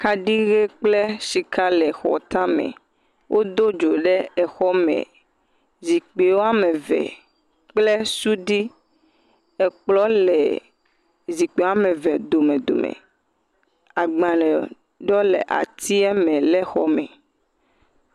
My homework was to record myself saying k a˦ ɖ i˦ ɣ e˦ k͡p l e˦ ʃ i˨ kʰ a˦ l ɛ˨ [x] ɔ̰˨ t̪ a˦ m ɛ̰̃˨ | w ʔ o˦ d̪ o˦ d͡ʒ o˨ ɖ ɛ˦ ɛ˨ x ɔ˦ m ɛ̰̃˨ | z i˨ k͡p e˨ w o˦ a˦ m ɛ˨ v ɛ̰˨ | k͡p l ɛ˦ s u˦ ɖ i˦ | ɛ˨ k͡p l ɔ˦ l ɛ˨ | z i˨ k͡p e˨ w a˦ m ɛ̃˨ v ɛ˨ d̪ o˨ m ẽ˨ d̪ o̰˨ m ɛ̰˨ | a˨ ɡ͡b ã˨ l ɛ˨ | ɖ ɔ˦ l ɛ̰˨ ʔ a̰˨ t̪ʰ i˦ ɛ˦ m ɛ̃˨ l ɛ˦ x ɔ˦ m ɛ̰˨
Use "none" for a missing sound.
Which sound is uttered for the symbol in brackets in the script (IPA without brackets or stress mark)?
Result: x